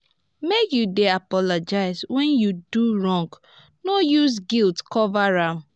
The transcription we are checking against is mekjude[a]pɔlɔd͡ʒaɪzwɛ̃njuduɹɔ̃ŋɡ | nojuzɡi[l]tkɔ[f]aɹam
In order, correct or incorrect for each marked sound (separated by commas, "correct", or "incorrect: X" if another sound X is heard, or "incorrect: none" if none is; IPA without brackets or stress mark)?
correct, correct, incorrect: v